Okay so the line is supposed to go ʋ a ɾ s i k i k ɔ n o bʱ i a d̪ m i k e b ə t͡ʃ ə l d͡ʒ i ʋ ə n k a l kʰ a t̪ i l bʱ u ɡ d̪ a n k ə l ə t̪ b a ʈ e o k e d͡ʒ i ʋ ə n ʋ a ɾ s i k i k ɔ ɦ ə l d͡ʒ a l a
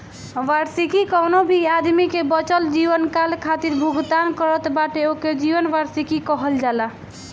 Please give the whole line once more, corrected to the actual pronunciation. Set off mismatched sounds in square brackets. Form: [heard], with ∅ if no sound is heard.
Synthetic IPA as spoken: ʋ a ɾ s i k i k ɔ n o bʱ i a d̪ m i k e b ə t͡ʃ ə l d͡ʒ i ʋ ə n k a l kʰ a t̪ i [ɾ] bʱ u ɡ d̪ a n k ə [ɾ] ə t̪ b a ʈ e o k e d͡ʒ i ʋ ə n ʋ a ɾ s i k i k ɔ ɦ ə l d͡ʒ a l a